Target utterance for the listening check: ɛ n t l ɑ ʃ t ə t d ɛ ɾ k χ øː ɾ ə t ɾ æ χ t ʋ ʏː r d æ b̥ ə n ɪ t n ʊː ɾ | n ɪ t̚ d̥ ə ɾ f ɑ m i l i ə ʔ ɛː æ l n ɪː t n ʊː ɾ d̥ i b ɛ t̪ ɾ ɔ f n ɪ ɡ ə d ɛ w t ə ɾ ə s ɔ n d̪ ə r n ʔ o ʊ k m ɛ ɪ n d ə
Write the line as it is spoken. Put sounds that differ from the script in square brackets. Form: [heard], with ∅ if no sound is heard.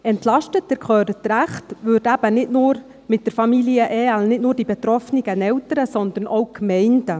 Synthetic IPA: ɛ n t l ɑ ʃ t ə t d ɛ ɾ k χ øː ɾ ə t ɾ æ χ t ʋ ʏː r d æ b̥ ə n ɪ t n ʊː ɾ | [m] ɪ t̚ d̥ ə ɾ f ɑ m i l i ə ʔ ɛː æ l n [ɪ] t n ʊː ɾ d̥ i b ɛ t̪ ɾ ɔ f n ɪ ɡ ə [n] ɛ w t ə ɾ ə s ɔ n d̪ ə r n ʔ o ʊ k m ɛ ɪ n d ə